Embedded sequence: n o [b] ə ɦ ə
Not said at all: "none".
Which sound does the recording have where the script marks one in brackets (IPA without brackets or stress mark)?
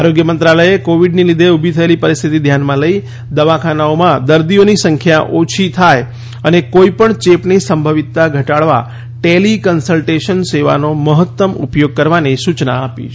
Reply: m